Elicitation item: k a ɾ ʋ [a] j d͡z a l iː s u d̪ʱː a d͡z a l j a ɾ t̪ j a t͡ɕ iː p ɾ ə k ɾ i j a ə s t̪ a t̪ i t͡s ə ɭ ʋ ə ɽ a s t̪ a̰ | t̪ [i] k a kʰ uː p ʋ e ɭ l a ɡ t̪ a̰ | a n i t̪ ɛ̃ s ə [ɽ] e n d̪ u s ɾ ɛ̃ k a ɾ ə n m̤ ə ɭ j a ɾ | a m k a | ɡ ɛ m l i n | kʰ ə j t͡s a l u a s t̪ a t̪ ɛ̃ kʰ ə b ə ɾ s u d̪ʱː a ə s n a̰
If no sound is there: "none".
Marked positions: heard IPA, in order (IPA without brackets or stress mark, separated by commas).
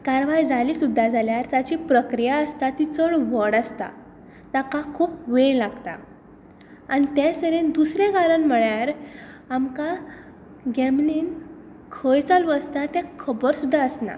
a, a, ɾ